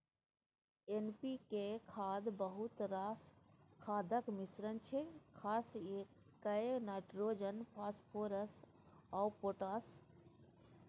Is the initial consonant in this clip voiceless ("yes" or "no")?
no